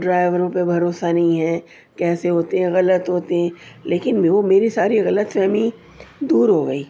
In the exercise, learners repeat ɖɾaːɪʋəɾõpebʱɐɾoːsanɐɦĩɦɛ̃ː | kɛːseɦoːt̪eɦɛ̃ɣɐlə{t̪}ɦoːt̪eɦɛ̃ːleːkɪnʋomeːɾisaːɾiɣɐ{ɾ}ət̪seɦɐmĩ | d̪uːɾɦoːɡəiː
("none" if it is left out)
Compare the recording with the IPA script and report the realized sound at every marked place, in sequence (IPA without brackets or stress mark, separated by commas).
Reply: t̪, l